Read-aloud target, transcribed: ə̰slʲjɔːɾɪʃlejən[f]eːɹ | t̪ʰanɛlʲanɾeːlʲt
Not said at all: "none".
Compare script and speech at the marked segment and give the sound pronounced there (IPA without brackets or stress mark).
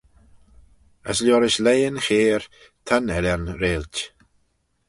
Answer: x